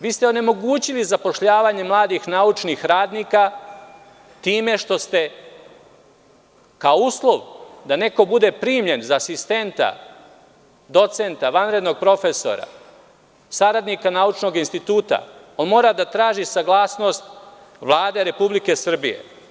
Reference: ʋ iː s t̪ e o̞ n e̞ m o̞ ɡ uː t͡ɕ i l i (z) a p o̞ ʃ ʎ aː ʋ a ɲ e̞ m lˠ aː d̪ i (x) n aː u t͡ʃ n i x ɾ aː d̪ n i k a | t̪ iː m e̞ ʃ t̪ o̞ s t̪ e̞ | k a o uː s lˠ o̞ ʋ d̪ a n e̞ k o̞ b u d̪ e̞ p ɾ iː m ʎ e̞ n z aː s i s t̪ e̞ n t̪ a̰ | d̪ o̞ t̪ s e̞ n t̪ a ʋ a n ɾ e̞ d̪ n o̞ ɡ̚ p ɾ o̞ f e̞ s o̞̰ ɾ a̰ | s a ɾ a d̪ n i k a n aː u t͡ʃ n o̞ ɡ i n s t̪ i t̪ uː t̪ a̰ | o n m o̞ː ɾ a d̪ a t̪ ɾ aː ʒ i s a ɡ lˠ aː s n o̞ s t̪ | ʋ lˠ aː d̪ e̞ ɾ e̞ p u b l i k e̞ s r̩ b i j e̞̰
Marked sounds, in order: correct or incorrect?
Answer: correct, correct

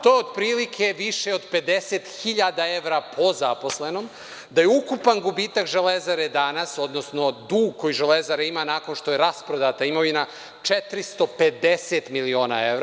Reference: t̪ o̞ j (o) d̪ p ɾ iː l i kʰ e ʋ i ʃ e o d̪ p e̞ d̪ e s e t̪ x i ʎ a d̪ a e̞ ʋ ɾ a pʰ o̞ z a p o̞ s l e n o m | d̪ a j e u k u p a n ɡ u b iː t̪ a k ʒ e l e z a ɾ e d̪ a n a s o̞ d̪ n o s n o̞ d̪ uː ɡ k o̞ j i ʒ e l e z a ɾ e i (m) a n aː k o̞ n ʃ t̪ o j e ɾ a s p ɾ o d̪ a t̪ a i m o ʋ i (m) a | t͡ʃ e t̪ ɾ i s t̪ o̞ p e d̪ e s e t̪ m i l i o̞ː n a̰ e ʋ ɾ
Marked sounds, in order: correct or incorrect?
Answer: correct, correct, incorrect: n

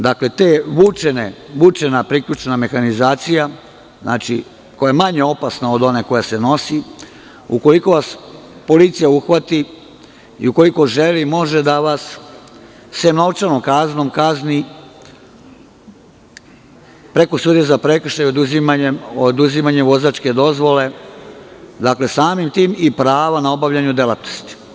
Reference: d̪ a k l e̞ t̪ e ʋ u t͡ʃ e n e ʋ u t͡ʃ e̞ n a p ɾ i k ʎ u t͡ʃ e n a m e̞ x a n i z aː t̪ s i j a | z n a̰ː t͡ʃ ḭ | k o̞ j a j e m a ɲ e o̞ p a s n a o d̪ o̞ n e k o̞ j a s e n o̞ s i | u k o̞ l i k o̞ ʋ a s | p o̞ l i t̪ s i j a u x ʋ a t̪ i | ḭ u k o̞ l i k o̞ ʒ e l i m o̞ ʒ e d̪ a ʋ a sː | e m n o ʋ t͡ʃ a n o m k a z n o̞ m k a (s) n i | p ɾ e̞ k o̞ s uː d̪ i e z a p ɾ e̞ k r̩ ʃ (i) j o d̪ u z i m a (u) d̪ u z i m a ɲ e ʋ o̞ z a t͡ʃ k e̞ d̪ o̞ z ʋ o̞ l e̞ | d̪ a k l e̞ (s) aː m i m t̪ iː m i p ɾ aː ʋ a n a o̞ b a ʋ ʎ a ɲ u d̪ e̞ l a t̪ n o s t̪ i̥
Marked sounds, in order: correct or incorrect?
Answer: incorrect: z, incorrect: a, incorrect: o, correct

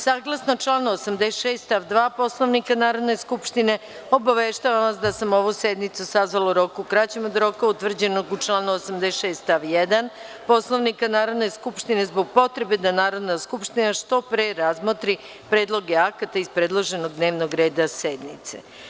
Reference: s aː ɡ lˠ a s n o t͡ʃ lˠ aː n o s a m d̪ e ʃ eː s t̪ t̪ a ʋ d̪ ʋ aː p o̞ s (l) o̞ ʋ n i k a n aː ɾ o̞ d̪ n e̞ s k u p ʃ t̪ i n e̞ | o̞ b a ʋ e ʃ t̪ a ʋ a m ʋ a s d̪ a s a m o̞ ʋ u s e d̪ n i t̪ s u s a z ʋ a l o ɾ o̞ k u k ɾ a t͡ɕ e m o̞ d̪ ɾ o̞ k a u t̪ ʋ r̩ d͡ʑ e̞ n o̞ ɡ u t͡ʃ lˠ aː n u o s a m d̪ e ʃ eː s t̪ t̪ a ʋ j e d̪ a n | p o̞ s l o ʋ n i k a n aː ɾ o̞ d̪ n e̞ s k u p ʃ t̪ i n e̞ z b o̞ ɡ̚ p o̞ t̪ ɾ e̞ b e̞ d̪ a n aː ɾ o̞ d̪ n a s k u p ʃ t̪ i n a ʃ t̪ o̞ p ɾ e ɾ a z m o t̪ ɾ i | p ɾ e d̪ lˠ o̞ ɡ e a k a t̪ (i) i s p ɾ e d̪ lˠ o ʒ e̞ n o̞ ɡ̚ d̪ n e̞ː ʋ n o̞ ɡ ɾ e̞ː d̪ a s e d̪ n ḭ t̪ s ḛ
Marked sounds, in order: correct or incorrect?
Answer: correct, incorrect: a

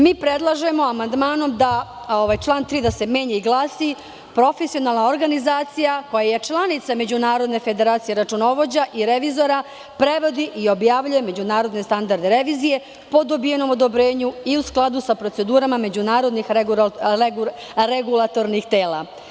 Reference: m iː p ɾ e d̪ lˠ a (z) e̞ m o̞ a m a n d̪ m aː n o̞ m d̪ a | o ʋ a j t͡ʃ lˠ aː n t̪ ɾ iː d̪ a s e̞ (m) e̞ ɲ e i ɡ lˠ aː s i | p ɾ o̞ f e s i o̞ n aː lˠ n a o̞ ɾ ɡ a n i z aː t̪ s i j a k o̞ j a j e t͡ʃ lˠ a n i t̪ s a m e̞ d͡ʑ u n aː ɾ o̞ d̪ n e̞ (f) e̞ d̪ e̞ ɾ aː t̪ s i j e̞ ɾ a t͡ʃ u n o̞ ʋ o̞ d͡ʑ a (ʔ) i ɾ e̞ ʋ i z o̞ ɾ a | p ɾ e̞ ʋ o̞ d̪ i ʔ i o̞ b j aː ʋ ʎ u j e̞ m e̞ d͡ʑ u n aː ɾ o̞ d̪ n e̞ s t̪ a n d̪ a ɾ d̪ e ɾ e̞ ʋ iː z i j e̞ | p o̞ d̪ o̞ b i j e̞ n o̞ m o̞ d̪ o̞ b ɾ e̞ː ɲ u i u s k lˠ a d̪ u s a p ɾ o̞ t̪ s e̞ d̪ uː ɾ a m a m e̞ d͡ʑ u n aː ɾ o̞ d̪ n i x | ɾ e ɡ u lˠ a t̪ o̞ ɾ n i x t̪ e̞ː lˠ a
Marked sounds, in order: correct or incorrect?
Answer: incorrect: ʒ, correct, correct, correct

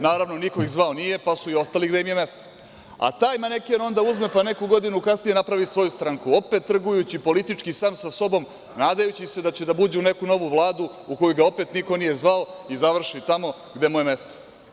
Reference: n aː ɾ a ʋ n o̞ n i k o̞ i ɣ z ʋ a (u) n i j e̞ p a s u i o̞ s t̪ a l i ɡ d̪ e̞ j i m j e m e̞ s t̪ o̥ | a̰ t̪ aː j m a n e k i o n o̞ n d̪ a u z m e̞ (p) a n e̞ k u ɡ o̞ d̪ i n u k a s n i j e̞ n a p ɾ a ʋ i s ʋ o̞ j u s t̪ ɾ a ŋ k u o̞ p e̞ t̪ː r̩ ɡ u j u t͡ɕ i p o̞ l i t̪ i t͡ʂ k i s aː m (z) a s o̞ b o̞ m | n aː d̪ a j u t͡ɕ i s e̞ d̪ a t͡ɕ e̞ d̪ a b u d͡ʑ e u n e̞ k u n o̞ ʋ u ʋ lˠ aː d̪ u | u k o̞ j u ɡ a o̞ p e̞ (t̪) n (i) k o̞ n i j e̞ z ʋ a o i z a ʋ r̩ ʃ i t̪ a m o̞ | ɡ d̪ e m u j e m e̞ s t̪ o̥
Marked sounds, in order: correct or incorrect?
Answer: incorrect: o, correct, incorrect: s, correct, correct

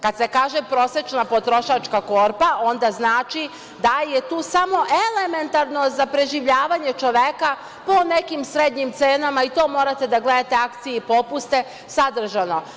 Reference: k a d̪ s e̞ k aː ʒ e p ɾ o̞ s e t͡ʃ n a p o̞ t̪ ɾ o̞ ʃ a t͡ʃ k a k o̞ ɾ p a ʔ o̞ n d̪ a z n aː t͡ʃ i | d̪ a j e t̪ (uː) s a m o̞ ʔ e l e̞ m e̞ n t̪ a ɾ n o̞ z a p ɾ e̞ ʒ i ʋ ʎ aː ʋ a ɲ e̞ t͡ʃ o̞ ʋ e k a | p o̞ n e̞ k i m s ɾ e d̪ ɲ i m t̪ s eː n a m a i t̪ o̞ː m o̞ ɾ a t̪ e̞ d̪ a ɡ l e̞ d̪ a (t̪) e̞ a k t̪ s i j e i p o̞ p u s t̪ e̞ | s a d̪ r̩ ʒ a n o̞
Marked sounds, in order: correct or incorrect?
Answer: correct, correct

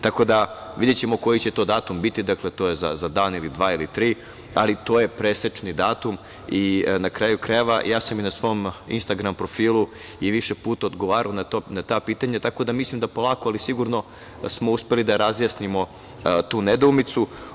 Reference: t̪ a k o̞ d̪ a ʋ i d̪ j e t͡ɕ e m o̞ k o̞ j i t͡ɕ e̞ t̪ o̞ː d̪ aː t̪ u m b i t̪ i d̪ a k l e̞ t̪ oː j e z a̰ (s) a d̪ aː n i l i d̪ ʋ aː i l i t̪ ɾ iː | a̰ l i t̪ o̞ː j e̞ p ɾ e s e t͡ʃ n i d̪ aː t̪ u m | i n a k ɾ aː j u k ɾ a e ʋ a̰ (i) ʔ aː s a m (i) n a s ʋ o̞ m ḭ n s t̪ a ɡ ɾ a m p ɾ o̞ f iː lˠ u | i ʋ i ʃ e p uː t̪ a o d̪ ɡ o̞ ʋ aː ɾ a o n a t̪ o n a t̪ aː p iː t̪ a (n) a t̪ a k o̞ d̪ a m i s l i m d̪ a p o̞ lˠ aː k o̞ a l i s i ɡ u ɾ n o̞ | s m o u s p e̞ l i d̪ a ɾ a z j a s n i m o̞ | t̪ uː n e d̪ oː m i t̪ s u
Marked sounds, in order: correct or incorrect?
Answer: incorrect: z, incorrect: j, correct, incorrect: ɲ

